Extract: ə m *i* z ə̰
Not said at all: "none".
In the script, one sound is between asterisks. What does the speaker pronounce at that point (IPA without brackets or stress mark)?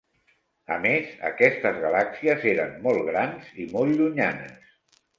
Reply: e